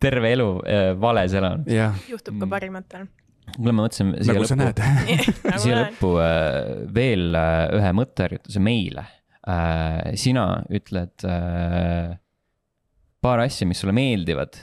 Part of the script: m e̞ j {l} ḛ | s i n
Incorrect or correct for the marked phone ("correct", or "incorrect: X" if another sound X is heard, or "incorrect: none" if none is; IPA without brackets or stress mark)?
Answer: correct